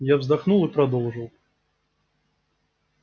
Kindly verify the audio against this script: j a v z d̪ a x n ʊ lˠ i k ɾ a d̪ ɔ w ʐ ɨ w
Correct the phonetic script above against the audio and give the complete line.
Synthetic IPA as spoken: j a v z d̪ a x n u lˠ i p ɾ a d̪ ɔ w ʐ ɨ w